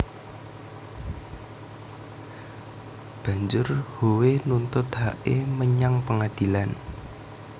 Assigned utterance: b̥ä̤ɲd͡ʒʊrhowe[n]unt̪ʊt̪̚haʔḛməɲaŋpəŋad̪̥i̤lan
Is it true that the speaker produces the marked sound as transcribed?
yes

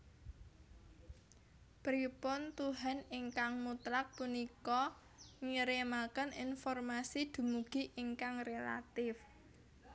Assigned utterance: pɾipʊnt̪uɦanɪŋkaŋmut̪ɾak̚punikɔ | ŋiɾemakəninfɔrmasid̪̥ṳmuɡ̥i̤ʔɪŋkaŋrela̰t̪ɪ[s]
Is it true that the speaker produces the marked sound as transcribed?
no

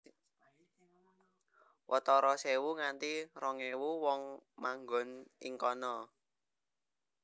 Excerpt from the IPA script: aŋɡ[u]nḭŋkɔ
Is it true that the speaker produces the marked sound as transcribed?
no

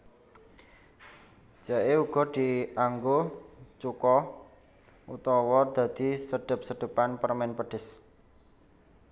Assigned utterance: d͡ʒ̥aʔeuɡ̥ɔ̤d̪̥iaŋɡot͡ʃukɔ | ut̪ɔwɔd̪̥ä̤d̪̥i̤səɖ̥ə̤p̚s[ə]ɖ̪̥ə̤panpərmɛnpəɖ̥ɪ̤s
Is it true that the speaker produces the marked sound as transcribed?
yes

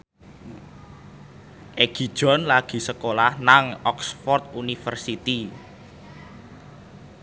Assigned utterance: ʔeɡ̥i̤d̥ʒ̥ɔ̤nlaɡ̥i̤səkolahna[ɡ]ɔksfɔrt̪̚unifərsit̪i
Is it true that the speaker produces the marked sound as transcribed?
no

